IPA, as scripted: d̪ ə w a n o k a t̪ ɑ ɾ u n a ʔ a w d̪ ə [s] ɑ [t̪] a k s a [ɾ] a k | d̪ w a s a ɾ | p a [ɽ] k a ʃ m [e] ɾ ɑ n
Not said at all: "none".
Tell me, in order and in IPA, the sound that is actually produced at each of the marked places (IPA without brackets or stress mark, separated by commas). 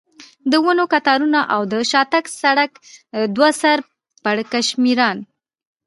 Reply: ʃ, t̪, ɽ, ɽ, i